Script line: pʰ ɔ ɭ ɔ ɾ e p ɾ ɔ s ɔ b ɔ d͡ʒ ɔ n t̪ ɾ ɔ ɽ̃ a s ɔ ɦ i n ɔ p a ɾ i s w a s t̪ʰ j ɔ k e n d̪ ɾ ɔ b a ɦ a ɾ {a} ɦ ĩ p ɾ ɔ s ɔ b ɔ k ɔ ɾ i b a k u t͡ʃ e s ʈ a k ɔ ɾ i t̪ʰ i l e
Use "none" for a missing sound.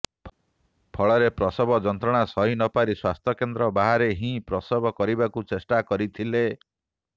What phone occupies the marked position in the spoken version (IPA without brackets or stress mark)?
e